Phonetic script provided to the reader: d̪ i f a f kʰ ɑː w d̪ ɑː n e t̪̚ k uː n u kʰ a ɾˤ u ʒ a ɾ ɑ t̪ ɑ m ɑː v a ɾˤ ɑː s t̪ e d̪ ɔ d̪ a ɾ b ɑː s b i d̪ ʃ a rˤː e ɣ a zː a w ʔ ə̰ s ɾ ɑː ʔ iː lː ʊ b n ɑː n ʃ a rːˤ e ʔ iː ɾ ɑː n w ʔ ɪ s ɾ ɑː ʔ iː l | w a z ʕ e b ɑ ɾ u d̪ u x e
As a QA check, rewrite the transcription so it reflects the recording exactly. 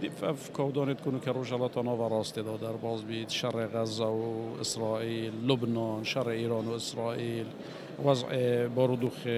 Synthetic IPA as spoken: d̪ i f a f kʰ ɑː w d̪ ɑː n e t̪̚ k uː n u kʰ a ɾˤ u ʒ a l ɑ t̪ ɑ n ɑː v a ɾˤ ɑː s t̪ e d̪ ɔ d̪ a ɾ b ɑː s b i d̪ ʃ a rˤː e ɣ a zː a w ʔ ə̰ s ɾ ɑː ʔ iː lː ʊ b n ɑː n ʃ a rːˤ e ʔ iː ɾ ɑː n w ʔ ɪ s ɾ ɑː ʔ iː l | w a z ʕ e b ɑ ɾ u d̪ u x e